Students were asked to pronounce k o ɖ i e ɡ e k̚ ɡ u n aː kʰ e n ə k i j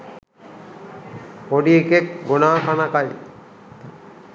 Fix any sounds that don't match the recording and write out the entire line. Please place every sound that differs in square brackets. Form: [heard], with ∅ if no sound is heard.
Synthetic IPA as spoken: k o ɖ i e [k] e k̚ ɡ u n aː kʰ [a] n [a] k [a] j